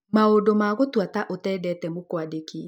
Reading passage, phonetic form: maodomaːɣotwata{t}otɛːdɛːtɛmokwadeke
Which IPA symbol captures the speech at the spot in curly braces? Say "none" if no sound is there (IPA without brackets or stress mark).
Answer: ʔ